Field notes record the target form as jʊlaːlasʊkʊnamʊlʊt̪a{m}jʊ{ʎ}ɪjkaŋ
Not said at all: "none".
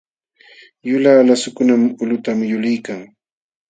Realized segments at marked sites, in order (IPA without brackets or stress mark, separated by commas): m, l